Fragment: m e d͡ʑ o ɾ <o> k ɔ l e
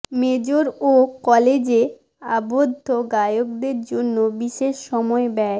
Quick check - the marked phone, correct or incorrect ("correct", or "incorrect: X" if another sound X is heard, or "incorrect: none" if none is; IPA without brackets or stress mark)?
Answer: correct